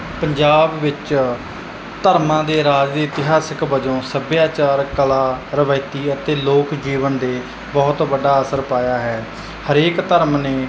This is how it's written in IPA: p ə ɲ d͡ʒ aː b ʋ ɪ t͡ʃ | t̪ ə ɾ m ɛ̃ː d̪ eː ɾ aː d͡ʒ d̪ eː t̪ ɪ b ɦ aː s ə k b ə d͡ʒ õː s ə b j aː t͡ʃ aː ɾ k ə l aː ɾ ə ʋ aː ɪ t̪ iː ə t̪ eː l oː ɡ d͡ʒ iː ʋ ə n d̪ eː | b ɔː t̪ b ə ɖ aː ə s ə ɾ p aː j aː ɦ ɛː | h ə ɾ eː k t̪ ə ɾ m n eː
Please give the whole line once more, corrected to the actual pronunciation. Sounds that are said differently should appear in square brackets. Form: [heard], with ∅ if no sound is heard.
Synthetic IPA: p ə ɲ d͡ʒ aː b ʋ ɪ t͡ʃ | t̪ ə ɾ m [ãː] d̪ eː ɾ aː d͡ʒ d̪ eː t̪ ɪ [∅] ɦ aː s ə k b ə d͡ʒ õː s ə b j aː t͡ʃ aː ɾ k ə l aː ɾ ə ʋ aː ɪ t̪ iː ə t̪ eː l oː [k] d͡ʒ iː ʋ ə n d̪ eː | b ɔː t̪ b ə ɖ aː ə s ə ɾ p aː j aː ɦ ɛː | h ə ɾ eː k t̪ ə ɾ m n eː